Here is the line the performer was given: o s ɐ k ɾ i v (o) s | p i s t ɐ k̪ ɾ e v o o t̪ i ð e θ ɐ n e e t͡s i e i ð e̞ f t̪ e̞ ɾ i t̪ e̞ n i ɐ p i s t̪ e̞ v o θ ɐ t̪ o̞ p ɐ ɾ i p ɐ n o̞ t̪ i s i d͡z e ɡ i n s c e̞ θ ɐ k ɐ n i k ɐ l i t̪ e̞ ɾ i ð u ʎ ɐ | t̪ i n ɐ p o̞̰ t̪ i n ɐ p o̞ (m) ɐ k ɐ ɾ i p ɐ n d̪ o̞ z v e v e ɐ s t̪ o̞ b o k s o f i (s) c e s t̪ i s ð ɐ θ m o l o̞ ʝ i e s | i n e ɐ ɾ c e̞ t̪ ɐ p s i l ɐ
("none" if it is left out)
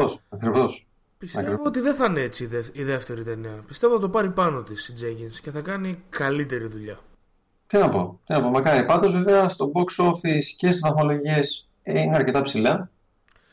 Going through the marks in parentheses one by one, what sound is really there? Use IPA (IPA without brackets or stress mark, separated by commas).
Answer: o, m, s